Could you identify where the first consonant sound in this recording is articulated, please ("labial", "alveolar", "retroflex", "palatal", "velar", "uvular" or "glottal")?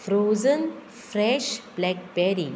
labial